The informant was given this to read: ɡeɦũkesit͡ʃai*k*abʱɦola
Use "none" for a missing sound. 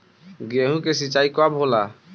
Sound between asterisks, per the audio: k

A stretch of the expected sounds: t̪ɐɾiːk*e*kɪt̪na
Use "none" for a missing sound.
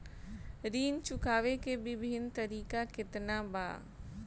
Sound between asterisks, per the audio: a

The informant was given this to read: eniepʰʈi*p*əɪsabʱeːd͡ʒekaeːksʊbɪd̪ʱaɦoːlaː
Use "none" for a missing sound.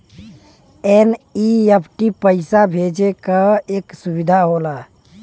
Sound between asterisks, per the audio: p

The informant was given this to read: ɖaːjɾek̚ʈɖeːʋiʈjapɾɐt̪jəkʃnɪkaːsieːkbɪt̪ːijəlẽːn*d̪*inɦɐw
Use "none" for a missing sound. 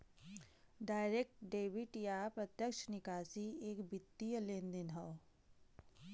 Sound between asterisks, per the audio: d̪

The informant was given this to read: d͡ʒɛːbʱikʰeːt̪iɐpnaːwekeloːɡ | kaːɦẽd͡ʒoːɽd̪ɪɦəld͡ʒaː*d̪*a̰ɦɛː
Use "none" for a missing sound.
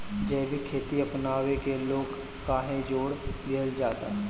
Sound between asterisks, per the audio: t̪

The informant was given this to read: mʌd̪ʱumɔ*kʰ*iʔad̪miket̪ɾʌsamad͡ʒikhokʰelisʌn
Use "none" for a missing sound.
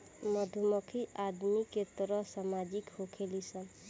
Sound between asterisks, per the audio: kʰ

